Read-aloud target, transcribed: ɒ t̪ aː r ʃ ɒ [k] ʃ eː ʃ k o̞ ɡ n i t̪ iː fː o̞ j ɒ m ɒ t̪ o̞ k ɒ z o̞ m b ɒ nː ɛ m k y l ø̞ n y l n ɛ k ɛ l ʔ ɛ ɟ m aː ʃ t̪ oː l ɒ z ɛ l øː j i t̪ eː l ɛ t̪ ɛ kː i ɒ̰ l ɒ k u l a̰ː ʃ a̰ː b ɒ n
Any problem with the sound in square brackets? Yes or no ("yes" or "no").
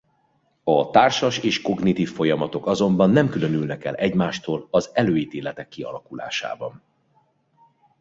yes